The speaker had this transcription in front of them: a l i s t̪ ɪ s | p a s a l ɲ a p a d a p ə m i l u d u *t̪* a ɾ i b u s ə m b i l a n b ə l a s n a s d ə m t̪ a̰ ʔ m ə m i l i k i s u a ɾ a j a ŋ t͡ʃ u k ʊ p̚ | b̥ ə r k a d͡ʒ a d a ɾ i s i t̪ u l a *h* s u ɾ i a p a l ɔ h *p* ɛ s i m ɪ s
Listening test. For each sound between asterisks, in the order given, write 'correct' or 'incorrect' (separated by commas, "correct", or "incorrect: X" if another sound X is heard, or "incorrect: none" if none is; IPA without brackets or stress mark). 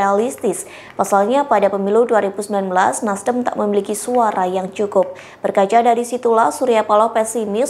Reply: incorrect: none, correct, correct